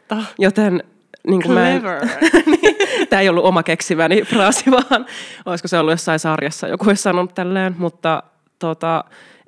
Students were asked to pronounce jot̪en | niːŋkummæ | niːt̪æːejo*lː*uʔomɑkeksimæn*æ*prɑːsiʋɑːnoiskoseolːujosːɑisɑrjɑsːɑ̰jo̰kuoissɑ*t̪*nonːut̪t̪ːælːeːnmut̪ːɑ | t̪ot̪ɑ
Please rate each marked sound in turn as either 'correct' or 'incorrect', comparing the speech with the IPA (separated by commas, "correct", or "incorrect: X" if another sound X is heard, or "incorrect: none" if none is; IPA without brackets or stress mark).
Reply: correct, incorrect: i, incorrect: none